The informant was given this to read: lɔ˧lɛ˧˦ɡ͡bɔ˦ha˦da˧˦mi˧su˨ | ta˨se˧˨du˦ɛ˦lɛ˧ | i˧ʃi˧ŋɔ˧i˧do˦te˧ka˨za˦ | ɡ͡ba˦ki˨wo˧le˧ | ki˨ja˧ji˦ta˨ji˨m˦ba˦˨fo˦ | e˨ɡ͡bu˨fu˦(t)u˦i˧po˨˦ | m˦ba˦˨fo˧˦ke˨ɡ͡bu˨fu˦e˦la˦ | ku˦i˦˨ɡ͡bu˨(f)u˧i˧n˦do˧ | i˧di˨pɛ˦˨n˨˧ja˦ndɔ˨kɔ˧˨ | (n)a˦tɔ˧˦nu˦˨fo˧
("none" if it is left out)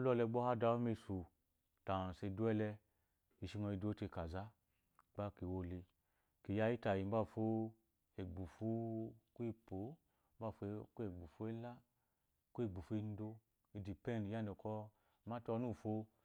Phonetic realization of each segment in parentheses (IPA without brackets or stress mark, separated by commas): k, f, m